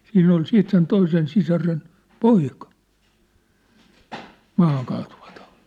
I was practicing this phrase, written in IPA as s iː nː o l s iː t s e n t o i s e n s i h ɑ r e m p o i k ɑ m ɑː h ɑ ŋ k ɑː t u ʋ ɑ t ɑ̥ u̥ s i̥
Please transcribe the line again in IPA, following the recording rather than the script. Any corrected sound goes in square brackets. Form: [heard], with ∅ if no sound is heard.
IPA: s iː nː o l s iː t s e n t o i s e n s i [s] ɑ r e [n] p o i k ɑ m ɑː h ɑ ŋ k ɑː t u ʋ ɑ t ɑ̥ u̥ [t] i̥